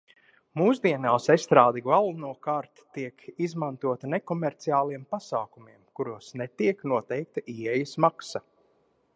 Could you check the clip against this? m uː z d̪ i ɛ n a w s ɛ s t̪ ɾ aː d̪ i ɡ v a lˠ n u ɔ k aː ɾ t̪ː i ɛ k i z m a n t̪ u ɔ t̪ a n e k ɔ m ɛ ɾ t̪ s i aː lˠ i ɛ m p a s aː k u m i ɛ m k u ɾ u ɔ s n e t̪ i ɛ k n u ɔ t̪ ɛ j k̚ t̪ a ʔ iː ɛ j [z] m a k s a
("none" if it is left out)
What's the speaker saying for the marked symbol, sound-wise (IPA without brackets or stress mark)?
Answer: s